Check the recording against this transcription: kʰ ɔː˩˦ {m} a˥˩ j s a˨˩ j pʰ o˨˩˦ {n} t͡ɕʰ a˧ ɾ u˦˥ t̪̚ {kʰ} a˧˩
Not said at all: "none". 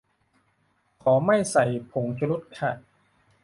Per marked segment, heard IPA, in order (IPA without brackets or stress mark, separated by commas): m, ŋ, kʰ